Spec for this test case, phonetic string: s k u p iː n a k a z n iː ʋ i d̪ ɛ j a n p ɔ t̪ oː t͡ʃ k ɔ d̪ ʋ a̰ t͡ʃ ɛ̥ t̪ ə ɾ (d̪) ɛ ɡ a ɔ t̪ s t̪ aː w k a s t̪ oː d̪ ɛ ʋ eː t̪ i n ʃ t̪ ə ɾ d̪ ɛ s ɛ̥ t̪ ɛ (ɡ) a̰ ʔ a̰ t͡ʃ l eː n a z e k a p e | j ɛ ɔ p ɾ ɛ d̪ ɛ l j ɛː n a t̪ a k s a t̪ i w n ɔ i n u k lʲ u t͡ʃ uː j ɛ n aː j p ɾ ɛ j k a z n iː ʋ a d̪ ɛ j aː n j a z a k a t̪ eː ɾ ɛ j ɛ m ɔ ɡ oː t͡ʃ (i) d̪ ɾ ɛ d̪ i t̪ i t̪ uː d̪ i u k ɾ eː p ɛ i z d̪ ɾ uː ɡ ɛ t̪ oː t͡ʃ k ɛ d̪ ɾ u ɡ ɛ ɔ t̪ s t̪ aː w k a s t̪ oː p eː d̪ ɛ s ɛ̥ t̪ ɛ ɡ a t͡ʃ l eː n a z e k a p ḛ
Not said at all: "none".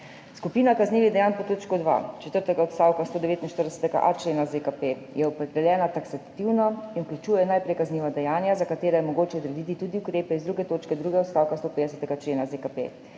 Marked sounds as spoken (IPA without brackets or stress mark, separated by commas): t̪, ɡ, ɛ